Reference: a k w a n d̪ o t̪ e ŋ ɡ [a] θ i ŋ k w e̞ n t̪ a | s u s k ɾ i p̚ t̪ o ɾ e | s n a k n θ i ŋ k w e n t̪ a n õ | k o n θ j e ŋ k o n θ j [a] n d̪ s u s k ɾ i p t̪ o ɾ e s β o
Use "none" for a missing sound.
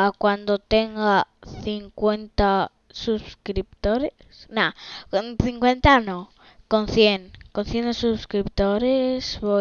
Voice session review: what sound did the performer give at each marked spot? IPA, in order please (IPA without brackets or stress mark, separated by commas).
a, e